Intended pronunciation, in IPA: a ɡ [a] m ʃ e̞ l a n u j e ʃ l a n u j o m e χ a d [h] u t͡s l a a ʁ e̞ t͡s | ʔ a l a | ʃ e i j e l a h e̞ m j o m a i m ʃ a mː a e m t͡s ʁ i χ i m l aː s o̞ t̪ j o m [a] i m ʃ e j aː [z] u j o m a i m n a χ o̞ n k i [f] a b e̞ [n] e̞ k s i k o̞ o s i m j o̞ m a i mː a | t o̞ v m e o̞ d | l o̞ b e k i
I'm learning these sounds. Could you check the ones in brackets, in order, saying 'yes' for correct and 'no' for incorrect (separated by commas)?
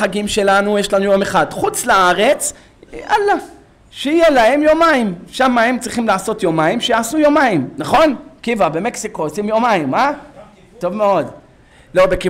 no, no, yes, no, no, no